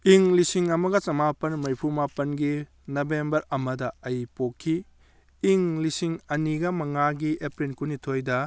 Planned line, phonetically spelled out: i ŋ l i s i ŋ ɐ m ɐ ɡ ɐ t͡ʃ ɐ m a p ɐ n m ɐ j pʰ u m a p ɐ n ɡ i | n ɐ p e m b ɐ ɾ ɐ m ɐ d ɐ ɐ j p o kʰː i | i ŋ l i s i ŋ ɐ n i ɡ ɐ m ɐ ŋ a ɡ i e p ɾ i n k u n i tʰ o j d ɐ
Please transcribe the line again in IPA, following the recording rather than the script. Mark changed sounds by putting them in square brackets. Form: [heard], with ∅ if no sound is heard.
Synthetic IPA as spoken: i ŋ l i s i ŋ ɐ m ɐ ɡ ɐ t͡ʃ ɐ m a p ɐ n m ɐ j pʰ u m a p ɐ n ɡ i | n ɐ [b] e m b ɐ ɾ ɐ m ɐ d ɐ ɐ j p o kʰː i | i ŋ l i s i ŋ ɐ n i ɡ ɐ m ɐ ŋ a ɡ i e p ɾ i n k u n i tʰ o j d ɐ